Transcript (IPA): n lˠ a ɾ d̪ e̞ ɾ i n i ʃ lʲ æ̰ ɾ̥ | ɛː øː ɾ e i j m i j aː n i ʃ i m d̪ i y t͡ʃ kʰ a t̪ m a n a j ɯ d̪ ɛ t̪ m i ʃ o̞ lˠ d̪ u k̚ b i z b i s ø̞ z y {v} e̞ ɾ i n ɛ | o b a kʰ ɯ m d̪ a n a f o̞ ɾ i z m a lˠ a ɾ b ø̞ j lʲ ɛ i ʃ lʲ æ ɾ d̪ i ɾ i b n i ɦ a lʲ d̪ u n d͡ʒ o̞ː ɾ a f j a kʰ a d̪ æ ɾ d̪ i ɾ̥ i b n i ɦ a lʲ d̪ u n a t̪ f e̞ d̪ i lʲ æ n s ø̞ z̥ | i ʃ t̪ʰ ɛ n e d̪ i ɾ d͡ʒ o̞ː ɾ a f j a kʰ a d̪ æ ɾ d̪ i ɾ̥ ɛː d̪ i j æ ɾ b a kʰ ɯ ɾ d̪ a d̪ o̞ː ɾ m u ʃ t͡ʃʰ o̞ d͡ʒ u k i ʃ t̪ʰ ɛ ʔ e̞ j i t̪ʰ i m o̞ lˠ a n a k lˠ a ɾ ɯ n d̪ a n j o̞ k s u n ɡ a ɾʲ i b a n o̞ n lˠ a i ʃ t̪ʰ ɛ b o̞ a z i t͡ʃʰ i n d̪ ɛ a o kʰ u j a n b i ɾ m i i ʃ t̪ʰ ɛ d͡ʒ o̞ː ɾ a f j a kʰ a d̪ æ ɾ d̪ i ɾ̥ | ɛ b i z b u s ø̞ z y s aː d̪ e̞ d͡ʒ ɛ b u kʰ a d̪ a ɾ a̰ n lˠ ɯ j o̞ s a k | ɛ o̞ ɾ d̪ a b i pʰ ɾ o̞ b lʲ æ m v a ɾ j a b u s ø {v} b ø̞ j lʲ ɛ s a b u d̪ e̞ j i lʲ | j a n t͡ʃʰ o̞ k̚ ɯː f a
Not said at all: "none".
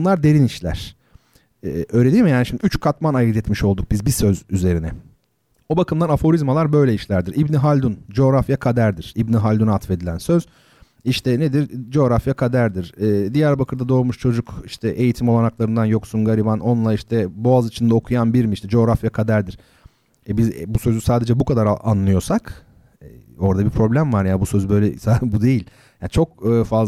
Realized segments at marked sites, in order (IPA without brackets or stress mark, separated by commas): z, z